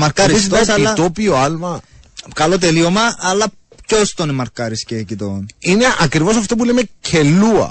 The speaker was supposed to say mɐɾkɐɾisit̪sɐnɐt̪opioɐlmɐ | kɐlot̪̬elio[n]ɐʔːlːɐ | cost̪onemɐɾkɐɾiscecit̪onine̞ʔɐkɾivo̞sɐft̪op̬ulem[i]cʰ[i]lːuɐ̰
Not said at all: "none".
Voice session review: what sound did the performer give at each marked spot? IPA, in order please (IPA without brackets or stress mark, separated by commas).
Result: m, e, e